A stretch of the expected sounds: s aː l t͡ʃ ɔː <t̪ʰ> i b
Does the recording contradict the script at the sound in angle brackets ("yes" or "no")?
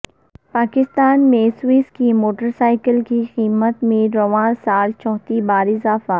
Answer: yes